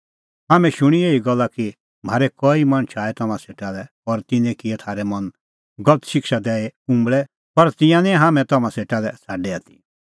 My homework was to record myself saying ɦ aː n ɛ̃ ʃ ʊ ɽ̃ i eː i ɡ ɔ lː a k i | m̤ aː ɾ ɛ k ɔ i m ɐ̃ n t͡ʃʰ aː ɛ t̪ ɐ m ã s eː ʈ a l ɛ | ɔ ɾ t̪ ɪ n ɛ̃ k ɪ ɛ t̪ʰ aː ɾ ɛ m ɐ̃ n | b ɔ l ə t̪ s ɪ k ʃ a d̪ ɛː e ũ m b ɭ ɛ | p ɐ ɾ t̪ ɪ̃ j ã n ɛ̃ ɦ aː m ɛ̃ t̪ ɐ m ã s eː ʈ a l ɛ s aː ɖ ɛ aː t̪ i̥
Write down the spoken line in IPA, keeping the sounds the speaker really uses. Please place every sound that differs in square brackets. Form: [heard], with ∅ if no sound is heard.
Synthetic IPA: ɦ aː [m] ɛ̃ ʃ ʊ ɽ̃ i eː i ɡ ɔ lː a k i | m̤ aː ɾ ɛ k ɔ i m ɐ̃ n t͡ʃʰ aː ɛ t̪ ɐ m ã s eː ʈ a l ɛ | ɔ ɾ t̪ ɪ n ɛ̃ k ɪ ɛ t̪ʰ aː ɾ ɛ m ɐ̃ n | [ɡ] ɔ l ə t̪ [ʃ] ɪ k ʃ a d̪ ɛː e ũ m b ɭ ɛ | p ɐ ɾ t̪ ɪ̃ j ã n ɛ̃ ɦ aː m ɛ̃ t̪ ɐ m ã s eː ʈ a l ɛ s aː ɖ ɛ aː t̪ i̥

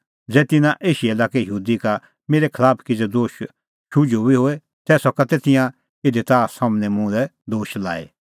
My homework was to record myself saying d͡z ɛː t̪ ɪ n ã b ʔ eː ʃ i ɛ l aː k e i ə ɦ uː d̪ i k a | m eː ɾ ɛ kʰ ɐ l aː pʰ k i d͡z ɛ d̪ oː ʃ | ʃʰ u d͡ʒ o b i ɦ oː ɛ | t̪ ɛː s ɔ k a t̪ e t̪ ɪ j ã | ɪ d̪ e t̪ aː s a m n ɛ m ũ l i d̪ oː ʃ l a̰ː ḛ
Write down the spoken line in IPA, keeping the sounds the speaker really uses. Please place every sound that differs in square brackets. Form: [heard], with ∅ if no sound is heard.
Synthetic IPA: d͡z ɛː t̪ ɪ n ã [∅] ʔ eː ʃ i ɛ l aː k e [j] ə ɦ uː d̪ i k a | m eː ɾ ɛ kʰ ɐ l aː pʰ k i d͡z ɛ d̪ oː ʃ | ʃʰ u d͡ʒ o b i ɦ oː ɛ | t̪ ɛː s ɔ k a t̪ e t̪ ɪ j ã | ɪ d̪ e t̪ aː s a m n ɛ m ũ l [ɛ] d̪ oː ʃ l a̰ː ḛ

